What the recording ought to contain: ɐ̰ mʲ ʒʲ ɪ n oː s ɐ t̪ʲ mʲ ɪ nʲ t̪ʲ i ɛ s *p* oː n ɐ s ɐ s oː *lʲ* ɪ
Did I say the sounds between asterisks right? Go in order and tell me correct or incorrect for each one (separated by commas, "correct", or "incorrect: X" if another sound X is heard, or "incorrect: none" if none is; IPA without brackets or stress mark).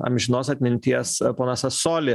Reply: correct, correct